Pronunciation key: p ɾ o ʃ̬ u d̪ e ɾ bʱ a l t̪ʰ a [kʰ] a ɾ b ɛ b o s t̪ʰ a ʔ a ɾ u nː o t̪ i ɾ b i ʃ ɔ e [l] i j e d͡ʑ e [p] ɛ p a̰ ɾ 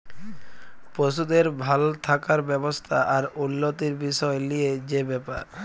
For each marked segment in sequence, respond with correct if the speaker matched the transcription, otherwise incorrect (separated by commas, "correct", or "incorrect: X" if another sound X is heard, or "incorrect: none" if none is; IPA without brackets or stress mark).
incorrect: k, correct, incorrect: b